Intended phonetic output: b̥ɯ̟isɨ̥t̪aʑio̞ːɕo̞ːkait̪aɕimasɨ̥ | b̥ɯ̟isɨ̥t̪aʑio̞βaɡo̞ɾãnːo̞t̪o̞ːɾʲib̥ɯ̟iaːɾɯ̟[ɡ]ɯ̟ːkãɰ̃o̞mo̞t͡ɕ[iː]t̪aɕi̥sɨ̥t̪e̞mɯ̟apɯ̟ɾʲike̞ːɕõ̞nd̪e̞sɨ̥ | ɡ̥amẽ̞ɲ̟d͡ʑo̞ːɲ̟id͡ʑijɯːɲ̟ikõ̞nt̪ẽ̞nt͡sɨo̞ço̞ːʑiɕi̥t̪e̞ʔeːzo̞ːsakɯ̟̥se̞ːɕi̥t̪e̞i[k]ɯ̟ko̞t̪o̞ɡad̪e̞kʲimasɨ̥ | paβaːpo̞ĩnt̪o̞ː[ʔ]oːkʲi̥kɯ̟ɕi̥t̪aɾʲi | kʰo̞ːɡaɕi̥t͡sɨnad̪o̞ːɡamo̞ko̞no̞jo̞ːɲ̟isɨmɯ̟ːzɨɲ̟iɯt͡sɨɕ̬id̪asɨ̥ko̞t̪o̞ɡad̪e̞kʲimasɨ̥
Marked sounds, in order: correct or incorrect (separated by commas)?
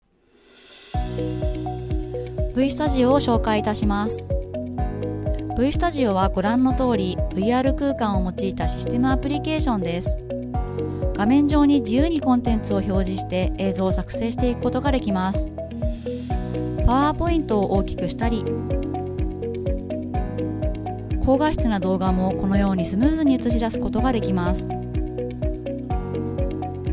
incorrect, correct, correct, correct